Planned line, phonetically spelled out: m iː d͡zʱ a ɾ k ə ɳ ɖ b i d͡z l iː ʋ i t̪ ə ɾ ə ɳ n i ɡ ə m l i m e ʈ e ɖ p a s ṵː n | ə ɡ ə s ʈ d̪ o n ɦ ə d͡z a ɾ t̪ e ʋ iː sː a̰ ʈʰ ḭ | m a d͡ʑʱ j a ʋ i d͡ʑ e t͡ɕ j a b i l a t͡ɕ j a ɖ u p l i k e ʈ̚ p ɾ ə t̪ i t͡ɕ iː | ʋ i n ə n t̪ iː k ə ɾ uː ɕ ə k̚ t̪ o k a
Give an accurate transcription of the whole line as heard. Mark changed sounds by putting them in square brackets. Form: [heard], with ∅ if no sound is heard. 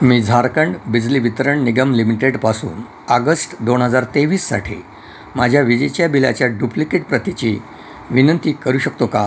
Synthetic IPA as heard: m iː d͡zʱ a ɾ k ə ɳ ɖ b i d͡z l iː ʋ i t̪ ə ɾ ə ɳ n i ɡ ə m l i m [i] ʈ e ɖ p a s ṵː n | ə ɡ ə s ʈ d̪ o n ɦ ə d͡z a ɾ t̪ e ʋ iː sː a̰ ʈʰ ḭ | m a d͡ʑʱ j a ʋ i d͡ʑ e t͡ɕ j a b i l a t͡ɕ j a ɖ u p l i k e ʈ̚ p ɾ ə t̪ i t͡ɕ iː | ʋ i n ə n t̪ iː k ə ɾ uː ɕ ə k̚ t̪ o k a